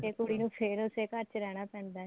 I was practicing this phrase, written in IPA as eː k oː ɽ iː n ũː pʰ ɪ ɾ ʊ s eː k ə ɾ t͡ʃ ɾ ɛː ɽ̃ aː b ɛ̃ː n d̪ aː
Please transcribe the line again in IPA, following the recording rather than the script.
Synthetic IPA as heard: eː k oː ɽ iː n ũː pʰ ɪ ɾ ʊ s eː k ə ɾ t͡ʃ ɾ ɛː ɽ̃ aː p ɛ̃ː n d̪ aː